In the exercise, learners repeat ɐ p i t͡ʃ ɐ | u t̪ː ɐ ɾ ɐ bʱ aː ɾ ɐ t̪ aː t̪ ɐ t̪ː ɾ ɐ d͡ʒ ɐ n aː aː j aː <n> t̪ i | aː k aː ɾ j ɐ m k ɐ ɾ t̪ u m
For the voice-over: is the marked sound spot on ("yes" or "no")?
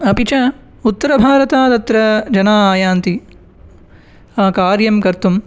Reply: yes